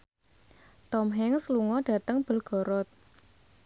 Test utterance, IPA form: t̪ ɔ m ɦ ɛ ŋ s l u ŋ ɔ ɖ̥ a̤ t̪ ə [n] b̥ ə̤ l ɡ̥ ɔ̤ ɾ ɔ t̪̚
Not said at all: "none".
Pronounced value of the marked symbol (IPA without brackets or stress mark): ŋ